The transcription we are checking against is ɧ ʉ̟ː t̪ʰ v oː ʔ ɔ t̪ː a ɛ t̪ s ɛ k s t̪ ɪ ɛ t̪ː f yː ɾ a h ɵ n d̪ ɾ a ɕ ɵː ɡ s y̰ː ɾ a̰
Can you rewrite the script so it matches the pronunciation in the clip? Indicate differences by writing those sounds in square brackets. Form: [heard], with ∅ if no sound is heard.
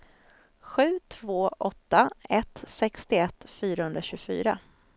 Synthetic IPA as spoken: ɧ ʉ̟ː t̪ʰ v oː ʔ ɔ t̪ː a ɛ t̪ s ɛ k s t̪ ɪ ɛ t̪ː f yː ɾ a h ɵ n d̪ ɾ a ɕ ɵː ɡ [f] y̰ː ɾ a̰